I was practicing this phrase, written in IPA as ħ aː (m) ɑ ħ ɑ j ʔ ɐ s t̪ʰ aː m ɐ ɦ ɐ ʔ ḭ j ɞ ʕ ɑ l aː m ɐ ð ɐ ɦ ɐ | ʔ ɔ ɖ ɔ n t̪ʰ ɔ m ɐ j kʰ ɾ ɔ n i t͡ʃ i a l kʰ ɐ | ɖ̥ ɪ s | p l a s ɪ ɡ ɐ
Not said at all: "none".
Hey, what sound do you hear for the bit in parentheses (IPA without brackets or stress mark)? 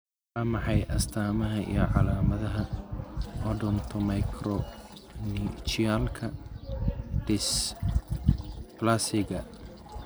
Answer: m